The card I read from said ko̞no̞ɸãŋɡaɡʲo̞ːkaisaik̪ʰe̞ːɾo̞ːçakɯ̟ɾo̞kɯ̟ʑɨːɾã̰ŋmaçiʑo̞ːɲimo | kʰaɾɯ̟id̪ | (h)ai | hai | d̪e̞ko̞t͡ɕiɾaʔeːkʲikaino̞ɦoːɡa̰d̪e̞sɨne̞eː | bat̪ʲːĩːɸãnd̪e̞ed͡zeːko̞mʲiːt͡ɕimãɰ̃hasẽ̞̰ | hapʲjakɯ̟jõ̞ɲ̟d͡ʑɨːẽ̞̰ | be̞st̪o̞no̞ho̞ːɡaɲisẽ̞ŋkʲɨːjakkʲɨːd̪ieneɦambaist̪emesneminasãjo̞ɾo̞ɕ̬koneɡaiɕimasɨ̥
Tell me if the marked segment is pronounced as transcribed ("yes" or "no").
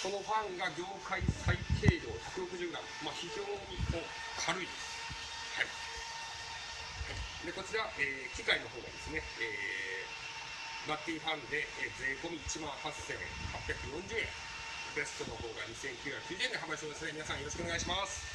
yes